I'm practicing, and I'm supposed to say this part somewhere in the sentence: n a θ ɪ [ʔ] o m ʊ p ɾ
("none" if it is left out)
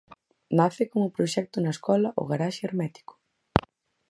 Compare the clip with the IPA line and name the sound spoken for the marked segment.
k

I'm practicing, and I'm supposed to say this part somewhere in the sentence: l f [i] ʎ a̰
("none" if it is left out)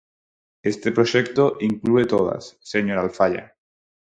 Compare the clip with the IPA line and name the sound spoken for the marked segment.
a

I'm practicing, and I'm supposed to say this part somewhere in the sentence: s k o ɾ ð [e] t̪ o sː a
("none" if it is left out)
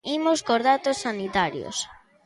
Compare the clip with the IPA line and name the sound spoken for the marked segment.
a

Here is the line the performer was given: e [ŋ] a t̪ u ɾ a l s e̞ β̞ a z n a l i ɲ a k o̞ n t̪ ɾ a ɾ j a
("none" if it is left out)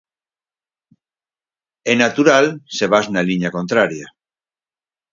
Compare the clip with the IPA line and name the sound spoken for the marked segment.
n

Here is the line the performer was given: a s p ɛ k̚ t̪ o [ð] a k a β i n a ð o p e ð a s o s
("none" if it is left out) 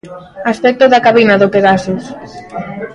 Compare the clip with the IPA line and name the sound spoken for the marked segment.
ð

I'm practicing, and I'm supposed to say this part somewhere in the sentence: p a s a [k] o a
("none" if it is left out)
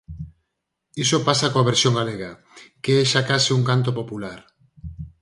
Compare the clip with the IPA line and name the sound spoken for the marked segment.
k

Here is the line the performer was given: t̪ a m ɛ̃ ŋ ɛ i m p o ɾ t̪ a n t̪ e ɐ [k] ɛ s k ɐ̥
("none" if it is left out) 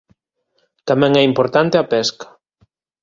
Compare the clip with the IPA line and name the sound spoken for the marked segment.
p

